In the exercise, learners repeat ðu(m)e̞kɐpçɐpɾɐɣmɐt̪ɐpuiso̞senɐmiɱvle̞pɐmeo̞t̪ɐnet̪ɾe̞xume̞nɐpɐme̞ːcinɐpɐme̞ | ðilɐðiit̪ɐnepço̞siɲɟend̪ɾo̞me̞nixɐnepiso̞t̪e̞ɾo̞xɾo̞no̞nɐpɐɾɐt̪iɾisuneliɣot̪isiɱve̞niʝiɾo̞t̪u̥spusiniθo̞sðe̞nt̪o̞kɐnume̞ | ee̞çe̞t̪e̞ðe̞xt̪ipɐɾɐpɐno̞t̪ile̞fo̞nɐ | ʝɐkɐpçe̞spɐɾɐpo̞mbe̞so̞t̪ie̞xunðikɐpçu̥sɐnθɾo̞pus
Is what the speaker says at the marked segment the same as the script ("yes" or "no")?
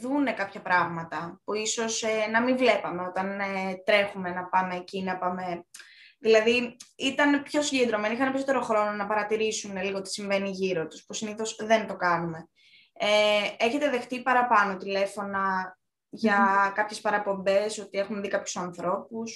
no